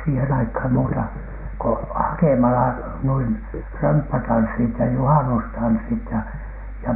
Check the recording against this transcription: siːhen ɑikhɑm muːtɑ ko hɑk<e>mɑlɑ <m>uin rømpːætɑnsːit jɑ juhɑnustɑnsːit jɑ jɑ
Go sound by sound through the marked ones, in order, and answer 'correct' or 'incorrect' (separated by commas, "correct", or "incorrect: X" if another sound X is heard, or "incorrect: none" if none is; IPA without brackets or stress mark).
correct, incorrect: n